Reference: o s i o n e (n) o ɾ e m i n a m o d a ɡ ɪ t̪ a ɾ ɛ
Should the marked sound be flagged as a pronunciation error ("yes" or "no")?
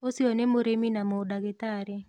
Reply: yes